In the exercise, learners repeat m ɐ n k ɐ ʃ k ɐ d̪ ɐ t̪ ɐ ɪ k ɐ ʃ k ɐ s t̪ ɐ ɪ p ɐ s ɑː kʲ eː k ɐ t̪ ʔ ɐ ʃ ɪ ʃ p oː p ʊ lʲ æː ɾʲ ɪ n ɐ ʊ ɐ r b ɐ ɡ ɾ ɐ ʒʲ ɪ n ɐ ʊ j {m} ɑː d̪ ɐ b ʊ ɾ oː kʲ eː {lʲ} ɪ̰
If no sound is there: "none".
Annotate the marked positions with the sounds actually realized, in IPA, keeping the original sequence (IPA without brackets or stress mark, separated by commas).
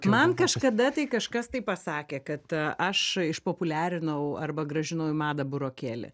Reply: m, lʲ